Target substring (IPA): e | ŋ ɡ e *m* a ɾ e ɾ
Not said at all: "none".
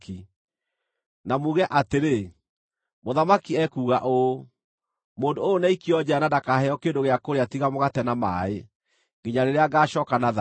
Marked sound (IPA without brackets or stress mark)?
ɲ